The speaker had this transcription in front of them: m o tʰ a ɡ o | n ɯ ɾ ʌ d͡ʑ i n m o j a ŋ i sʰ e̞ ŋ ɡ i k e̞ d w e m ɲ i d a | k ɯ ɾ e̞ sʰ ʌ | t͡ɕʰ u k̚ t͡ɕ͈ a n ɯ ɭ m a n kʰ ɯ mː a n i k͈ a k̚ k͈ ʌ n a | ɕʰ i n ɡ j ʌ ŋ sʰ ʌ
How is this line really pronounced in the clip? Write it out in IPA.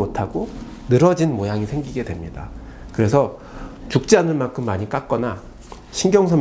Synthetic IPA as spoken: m o tʰ a ɡ o | n ɯ ɾ ʌ d͡ʑ i n m o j a ŋ i sʰ e̞ ŋ ɡ i ɡ e̞ d w e m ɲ i d a | k ɯ ɾ e̞ sʰ ʌ | t͡ɕ u k̚ t͡ɕ͈ a n ɯ ɭ m a n kʰ ɯ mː a ɲ i k͈ a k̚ k͈ ʌ n a | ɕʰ i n ɡ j ʌ ŋ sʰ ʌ